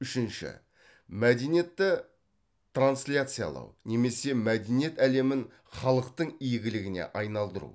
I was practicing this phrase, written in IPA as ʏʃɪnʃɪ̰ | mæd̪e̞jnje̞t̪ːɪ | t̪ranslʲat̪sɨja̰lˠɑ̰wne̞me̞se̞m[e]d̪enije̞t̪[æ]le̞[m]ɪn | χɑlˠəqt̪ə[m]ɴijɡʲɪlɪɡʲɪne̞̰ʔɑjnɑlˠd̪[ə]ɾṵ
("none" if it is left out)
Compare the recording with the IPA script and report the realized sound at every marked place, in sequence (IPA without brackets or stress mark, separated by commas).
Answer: æ, æ, m, none, ə